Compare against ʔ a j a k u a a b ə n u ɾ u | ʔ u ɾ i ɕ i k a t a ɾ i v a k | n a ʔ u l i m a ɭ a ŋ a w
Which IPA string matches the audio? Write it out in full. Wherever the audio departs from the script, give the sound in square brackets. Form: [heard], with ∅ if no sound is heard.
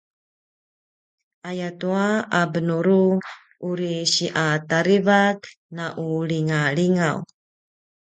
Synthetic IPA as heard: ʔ a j a [t] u a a b ə n u ɾ u | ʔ u ɾ i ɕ i [ʔ] a t a ɾ i v a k | n a ʔ u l i [ŋ] a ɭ [i] ŋ a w